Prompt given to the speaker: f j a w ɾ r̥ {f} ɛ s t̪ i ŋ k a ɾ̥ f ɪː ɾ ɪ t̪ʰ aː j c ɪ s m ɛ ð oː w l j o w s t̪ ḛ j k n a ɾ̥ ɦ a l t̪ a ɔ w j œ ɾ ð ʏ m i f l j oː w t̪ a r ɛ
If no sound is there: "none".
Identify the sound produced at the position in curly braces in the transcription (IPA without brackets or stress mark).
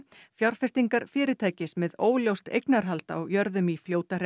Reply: f